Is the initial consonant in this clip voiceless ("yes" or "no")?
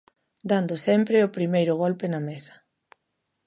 no